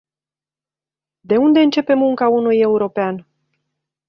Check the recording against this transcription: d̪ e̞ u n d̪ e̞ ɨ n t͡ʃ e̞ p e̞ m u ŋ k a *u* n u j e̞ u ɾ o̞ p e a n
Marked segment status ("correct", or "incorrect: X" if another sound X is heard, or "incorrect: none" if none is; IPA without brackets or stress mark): correct